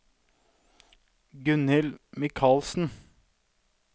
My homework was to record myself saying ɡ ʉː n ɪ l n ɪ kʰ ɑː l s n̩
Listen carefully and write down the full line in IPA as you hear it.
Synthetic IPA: ɡ ʉ n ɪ l m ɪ kʰ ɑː l s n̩